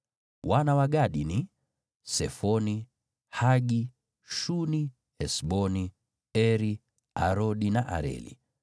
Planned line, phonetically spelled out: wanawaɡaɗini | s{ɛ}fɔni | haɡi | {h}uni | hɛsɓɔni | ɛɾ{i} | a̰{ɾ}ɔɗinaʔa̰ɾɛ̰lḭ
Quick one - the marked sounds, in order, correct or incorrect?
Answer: correct, incorrect, correct, correct

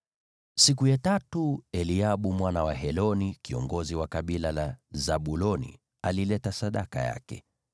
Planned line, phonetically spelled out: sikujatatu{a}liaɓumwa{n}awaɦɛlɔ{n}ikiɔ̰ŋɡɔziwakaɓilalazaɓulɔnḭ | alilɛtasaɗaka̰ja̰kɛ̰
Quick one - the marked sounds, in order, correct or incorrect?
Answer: incorrect, correct, correct

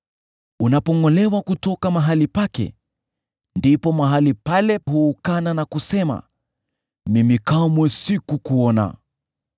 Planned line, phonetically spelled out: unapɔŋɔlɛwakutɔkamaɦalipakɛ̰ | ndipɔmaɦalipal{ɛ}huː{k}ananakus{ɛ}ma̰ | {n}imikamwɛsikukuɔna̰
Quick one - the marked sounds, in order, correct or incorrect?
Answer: correct, correct, correct, incorrect

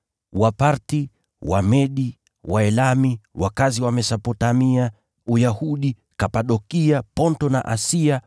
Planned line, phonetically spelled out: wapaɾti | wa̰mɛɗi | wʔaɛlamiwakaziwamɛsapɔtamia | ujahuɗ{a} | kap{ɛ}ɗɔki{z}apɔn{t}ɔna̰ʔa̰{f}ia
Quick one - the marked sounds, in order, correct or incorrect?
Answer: incorrect, incorrect, incorrect, correct, incorrect

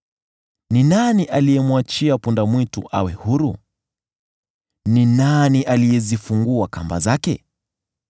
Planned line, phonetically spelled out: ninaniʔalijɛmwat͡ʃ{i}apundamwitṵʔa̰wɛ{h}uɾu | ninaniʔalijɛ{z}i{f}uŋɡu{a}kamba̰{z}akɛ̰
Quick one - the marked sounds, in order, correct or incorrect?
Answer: correct, correct, correct, correct, correct, correct

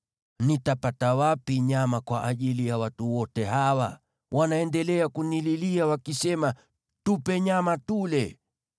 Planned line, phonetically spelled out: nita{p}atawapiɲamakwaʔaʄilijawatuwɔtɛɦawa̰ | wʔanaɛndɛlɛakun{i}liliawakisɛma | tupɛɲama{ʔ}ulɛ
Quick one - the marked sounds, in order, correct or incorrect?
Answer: correct, correct, incorrect

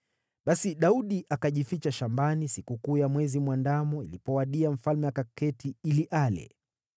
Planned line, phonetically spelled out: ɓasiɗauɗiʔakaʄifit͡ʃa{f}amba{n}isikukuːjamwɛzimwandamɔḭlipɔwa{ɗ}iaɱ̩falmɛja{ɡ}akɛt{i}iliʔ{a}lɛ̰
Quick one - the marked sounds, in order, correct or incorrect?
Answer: incorrect, correct, correct, incorrect, correct, correct

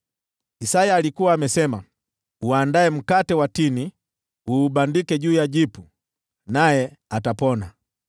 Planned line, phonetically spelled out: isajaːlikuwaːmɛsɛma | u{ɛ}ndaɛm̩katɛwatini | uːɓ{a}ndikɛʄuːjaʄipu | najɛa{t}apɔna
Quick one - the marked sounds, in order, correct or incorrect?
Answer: incorrect, correct, correct

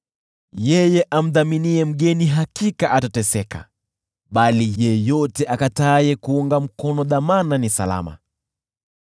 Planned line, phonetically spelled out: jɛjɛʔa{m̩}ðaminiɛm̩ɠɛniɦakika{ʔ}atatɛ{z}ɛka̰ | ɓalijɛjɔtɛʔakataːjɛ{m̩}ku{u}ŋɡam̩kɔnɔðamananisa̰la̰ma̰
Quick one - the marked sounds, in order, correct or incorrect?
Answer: correct, correct, incorrect, incorrect, correct

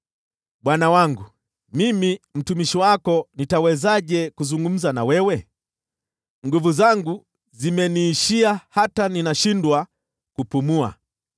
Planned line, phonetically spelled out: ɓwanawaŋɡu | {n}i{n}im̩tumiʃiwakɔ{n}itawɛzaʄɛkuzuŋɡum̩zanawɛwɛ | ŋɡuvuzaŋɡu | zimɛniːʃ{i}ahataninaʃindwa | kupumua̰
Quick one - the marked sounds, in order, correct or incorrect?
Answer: incorrect, incorrect, correct, correct

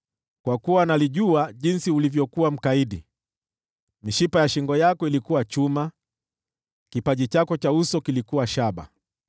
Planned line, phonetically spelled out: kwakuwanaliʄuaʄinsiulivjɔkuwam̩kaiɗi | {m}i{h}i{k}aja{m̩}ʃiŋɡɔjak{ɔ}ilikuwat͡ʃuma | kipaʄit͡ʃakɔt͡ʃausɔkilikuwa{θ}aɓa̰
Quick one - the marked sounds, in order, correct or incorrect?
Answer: correct, incorrect, incorrect, incorrect, correct, incorrect

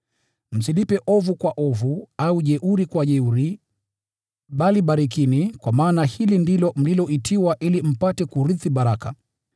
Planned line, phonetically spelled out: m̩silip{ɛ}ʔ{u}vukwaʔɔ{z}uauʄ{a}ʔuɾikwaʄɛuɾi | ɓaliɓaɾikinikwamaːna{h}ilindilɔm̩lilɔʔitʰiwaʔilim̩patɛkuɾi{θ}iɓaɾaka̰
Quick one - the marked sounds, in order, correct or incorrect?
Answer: correct, incorrect, incorrect, incorrect, correct, correct

